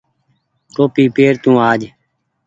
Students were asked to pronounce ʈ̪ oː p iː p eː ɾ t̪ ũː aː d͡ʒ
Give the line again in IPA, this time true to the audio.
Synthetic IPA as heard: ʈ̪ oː p iː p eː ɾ t̪ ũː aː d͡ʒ